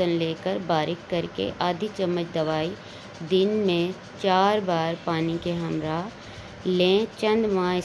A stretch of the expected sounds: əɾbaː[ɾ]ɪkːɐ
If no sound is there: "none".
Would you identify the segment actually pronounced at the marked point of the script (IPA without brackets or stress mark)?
ɾ